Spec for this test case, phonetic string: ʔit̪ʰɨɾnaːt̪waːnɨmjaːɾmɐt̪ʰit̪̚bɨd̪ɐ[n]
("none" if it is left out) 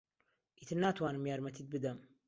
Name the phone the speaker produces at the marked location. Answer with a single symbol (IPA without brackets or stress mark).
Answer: m